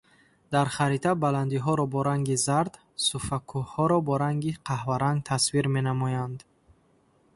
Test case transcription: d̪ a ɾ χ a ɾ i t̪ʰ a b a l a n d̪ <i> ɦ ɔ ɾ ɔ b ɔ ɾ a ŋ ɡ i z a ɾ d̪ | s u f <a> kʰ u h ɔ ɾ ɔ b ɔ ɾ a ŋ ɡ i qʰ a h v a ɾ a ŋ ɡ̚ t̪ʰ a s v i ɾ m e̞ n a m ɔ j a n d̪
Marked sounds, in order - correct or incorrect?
correct, correct

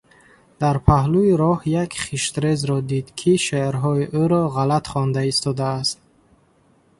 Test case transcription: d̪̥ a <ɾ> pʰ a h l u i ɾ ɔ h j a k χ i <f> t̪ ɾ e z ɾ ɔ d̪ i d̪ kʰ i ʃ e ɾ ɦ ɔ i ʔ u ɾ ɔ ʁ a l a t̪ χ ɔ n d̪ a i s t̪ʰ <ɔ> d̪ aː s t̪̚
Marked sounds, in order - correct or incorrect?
correct, incorrect, correct

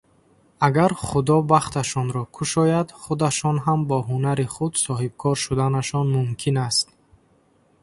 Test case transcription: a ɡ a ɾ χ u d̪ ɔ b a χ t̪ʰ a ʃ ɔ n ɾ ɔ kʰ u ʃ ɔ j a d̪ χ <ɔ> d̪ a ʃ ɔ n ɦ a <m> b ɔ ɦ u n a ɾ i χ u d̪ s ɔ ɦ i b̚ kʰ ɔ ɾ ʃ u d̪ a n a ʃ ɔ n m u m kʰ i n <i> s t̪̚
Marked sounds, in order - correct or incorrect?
incorrect, correct, incorrect

